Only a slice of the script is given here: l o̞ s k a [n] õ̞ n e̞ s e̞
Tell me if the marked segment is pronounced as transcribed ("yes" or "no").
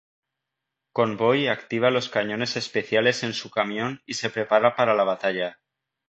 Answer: no